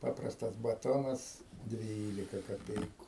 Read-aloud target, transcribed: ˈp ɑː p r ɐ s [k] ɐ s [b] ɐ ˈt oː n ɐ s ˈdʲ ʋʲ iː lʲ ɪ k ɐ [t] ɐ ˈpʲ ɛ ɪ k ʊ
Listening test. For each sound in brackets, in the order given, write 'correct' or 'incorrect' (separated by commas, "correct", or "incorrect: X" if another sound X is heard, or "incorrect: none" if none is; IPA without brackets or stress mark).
incorrect: t, correct, incorrect: k